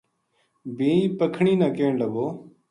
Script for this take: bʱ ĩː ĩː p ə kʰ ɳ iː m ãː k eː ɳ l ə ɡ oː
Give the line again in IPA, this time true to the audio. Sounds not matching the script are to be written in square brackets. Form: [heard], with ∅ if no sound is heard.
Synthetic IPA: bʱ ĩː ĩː p ə kʰ ɳ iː [n] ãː k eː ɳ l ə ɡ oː